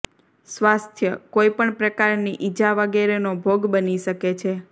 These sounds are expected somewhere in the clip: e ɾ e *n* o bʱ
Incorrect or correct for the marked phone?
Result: correct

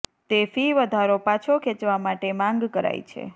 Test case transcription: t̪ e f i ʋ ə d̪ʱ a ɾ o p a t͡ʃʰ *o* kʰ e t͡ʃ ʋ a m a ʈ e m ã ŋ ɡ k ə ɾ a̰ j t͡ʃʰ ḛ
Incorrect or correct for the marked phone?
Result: correct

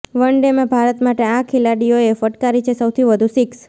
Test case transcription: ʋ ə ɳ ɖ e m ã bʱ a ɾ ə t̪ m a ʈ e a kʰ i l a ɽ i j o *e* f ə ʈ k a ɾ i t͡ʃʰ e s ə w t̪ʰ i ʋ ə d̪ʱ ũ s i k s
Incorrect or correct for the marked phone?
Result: correct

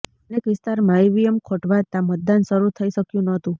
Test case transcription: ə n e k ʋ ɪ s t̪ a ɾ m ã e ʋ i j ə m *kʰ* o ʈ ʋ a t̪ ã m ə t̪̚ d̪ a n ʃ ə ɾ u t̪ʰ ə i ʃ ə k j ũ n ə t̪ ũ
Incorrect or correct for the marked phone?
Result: correct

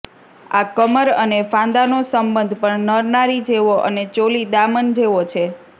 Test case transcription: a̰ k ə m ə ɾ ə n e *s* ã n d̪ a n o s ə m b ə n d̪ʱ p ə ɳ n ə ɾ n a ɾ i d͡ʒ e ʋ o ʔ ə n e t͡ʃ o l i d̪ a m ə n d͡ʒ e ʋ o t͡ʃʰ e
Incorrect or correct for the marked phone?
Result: incorrect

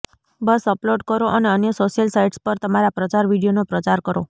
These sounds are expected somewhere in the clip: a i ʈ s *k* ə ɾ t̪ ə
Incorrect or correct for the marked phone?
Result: incorrect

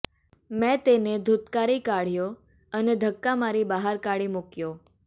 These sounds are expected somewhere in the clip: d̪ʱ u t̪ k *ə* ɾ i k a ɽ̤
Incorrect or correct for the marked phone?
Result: incorrect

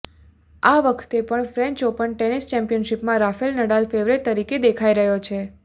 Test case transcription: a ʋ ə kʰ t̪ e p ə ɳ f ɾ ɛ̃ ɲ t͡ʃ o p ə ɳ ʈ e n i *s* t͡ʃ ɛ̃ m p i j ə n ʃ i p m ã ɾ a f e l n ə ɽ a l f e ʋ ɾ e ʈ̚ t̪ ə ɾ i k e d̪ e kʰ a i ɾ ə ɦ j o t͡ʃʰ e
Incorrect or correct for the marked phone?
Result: correct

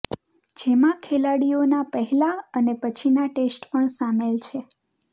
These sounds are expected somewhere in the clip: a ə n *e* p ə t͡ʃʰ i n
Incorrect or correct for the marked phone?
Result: correct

